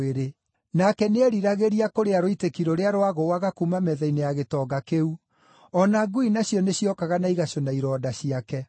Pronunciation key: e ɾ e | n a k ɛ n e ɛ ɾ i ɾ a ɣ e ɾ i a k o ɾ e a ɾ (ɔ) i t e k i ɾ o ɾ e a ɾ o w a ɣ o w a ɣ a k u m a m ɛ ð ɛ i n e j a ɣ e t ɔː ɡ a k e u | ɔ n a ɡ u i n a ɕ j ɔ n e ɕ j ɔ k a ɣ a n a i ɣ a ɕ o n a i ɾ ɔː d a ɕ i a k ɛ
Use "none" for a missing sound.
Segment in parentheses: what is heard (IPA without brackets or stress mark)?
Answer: o